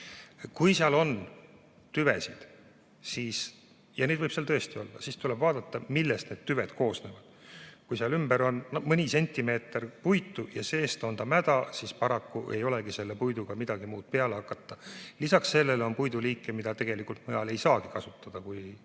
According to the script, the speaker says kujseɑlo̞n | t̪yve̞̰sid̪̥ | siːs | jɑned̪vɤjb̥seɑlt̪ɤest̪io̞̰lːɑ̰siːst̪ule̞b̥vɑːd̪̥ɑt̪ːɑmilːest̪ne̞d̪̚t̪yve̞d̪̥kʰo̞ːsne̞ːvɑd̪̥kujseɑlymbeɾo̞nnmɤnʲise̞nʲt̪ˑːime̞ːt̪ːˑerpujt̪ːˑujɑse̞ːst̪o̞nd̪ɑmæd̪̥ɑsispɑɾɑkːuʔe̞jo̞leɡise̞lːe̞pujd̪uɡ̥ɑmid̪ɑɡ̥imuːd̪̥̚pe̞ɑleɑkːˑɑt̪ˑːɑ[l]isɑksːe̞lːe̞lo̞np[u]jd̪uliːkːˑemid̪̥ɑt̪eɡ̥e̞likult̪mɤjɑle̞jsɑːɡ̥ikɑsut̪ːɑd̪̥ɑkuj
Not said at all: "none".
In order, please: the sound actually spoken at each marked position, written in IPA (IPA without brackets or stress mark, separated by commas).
l, u